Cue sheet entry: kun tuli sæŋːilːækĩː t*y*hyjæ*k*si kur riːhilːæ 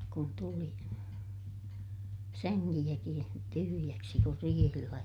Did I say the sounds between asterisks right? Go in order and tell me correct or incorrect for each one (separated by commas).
correct, correct